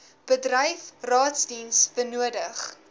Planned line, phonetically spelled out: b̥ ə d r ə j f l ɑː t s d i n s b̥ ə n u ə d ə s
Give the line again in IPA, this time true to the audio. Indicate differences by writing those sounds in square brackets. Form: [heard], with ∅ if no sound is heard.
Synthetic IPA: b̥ ə d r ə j f [r] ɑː t s d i n s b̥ ə n u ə d ə [χ]

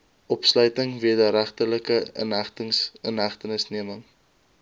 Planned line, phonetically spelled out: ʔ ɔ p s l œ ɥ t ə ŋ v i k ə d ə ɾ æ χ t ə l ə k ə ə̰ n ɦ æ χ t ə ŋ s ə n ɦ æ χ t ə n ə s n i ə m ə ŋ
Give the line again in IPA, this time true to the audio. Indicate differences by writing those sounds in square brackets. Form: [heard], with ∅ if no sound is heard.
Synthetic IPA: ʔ ɔ p s l œ ɥ t ə ŋ v i [∅] ə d ə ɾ æ χ t ə l ə k ə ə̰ n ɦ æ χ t ə ŋ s ə n ɦ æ χ t ə n ə s n i ə m ə ŋ

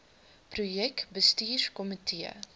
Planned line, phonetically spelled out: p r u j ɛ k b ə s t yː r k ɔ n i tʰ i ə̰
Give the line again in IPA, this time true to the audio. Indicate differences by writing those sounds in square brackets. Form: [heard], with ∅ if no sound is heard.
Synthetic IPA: p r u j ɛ k b ə s t [iː] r k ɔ [m] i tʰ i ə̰

